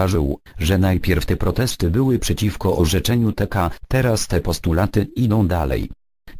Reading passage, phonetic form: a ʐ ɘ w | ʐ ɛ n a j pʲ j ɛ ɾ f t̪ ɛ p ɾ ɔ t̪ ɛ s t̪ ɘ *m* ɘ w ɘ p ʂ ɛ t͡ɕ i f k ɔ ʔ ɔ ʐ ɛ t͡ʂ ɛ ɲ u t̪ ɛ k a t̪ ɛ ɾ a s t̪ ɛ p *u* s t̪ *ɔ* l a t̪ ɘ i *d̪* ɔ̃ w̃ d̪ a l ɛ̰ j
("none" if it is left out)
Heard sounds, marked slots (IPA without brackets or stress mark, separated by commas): b, ɔ, u, d̪